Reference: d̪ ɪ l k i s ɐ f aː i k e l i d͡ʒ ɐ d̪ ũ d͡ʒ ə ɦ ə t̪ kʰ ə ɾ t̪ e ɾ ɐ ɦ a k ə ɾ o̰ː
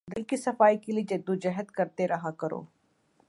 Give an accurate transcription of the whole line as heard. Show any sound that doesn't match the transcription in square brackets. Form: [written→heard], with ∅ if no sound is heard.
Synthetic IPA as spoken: d̪ ɪ l k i s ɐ f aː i k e l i d͡ʒ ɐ d̪ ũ d͡ʒ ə ɦ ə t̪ [kʰ→k] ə ɾ t̪ e ɾ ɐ ɦ a k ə ɾ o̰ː